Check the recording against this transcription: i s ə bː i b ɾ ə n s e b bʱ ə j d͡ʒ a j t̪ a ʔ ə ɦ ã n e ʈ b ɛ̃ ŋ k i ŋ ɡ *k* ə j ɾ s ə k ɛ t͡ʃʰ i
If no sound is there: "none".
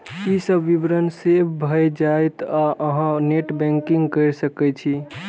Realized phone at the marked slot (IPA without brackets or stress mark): k